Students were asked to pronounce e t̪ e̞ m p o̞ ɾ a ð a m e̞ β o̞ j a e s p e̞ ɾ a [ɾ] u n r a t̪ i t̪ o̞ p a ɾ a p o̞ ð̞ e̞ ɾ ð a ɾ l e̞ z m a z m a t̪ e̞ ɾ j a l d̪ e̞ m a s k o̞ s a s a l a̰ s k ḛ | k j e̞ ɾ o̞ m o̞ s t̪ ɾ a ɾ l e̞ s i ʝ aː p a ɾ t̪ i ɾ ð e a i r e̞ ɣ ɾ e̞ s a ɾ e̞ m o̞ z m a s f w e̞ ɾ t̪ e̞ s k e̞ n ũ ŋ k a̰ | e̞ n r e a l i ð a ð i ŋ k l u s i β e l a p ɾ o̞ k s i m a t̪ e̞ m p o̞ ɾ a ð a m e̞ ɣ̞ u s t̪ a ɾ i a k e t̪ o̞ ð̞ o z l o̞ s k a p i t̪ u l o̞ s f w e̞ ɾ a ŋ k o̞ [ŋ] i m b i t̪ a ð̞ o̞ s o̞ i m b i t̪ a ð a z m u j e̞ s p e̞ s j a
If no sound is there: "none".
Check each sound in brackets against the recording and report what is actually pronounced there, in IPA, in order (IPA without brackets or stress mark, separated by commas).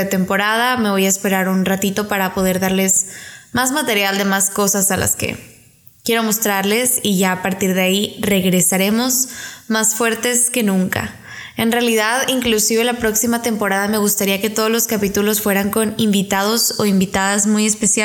ɾ, n